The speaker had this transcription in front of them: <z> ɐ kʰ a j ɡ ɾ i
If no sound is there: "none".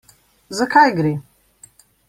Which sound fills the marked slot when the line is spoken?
z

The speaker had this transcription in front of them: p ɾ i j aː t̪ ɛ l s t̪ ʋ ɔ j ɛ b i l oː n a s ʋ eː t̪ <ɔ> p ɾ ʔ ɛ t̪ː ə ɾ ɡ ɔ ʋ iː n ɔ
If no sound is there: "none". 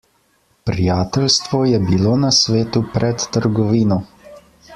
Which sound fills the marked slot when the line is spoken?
u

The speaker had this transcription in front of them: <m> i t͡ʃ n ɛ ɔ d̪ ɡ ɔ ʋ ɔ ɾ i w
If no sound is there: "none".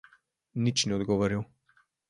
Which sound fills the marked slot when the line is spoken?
n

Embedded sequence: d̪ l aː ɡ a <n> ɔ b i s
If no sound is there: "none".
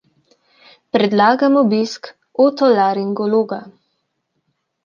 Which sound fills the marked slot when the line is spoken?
m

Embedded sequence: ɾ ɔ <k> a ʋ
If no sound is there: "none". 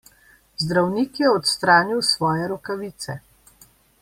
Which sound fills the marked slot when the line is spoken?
k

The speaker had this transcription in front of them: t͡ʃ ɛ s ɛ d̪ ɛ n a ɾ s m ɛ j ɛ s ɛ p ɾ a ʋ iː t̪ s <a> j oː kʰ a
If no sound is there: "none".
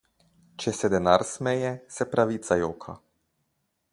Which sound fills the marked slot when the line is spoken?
a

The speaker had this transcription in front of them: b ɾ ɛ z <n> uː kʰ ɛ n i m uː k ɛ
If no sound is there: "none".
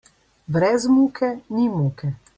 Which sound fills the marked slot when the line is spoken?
m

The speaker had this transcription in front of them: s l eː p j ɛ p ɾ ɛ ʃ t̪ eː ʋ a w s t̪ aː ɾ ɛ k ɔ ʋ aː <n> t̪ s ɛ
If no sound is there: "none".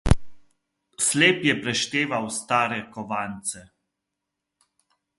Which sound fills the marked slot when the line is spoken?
n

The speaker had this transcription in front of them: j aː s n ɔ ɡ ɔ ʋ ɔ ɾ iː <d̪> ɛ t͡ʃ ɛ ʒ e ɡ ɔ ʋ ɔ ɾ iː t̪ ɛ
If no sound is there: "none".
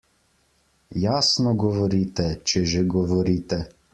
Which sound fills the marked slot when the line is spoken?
t̪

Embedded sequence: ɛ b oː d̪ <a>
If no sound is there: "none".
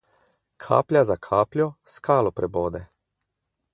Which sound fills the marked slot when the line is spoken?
ɛ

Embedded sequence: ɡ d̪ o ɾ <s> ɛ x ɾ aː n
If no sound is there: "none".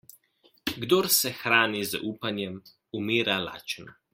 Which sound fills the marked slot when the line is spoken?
s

